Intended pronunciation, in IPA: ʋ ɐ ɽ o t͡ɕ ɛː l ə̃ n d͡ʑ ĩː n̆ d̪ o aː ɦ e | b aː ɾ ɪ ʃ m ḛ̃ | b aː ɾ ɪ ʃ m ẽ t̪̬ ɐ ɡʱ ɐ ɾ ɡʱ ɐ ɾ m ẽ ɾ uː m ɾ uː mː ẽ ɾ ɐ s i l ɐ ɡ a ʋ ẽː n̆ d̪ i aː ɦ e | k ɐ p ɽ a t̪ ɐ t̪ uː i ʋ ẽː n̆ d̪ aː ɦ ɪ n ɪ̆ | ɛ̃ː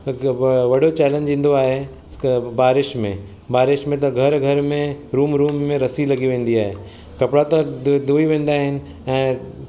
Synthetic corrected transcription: ʋ ɐ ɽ o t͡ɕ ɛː l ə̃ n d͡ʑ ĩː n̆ d̪ o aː ɦ e | b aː ɾ ɪ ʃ m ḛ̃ | b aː ɾ ɪ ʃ m ẽ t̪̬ ɐ ɡʱ ɐ ɾ ɡʱ ɐ ɾ m ẽ ɾ uː m ɾ uː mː ẽ ɾ ɐ s i l ɐ ɡ i ʋ ẽː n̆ d̪ i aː ɦ e | k ɐ p ɽ a t̪ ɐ d̪ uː i ʋ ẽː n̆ d̪ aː ɦ ɪ n ɪ̆ | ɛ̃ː